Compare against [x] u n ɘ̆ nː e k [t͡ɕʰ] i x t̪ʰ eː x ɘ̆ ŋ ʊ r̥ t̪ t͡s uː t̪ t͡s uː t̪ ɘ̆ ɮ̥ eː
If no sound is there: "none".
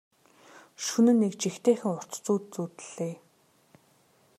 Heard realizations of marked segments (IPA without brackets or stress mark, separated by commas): ʃ, t͡ɕ